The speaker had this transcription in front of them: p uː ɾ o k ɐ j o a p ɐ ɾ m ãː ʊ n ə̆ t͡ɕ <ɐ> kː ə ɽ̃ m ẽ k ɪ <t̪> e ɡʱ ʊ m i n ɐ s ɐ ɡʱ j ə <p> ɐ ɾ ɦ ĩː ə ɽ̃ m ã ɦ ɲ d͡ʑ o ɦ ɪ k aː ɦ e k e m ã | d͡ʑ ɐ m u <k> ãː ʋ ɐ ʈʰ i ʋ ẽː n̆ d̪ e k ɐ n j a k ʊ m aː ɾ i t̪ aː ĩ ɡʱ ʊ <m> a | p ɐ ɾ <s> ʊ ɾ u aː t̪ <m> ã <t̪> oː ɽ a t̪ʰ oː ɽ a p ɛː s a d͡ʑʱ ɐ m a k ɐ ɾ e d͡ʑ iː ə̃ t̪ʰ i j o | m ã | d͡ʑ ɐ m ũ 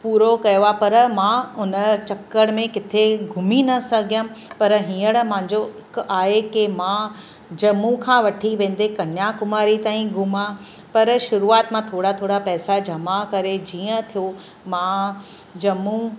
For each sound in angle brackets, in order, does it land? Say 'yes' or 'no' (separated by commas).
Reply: yes, no, yes, no, yes, no, yes, no